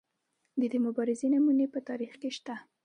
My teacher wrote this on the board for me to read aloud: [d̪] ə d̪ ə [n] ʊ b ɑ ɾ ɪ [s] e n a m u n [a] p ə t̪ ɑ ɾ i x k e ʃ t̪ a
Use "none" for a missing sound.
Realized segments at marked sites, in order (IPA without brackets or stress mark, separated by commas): d̪, m, z, e